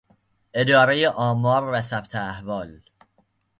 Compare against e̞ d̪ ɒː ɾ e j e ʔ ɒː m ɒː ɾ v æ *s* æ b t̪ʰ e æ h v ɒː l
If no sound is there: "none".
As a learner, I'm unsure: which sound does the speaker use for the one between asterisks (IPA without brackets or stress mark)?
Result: s